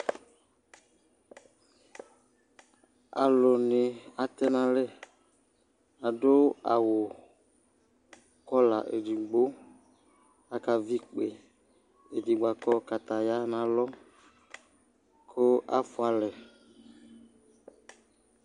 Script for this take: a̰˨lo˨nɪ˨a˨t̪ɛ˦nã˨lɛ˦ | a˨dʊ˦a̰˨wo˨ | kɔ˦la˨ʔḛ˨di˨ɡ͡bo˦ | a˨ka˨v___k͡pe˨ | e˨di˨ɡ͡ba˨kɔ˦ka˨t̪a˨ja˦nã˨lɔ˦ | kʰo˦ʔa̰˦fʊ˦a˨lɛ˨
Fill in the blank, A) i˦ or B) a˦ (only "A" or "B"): A